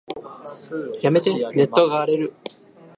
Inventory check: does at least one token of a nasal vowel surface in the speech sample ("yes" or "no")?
no